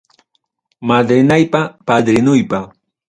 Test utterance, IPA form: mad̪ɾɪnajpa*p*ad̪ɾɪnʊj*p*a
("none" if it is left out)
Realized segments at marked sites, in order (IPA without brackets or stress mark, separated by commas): p, p